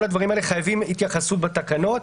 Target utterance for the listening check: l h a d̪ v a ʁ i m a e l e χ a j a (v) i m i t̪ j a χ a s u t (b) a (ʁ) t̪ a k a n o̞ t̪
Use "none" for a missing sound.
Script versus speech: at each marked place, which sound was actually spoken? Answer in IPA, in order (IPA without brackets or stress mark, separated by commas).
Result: v, b, none